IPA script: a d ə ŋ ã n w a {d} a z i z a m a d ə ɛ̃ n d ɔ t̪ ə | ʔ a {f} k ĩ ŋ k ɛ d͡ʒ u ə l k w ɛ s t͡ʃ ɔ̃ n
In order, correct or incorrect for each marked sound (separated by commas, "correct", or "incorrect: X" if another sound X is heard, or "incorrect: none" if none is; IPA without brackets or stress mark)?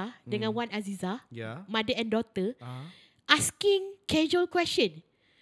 incorrect: n, incorrect: s